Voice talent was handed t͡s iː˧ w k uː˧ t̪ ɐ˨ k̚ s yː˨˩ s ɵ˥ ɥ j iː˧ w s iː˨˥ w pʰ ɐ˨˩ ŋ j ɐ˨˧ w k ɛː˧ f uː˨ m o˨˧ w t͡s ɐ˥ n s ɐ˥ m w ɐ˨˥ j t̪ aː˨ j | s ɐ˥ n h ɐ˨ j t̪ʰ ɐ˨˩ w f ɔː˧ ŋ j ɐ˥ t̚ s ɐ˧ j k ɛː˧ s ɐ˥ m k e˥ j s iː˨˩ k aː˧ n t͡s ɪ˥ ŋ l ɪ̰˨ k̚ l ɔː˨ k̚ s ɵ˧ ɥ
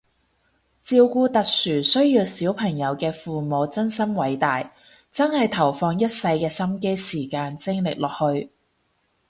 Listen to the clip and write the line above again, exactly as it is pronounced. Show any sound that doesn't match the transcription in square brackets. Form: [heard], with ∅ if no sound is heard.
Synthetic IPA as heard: t͡s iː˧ w k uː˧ t̪ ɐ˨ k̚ s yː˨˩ s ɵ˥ ɥ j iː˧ w s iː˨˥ w pʰ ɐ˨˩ ŋ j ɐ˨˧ w k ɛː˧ f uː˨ m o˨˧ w t͡s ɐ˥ n s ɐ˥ m w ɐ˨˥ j t̪ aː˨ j | [t͡s] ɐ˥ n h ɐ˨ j t̪ʰ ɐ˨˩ w f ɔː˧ ŋ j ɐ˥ t̚ s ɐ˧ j k ɛː˧ s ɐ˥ m k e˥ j s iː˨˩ k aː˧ n t͡s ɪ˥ ŋ l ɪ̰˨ k̚ l ɔː˨ k̚ [h] ɵ˧ ɥ